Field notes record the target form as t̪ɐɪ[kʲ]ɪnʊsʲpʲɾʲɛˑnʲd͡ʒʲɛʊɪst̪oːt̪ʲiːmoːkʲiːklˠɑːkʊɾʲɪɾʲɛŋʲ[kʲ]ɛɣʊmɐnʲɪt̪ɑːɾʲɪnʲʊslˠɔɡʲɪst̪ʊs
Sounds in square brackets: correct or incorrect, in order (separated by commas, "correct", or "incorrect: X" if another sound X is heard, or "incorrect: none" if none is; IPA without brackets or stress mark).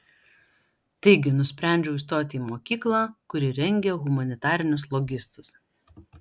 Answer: incorrect: ɡʲ, incorrect: ɡʲ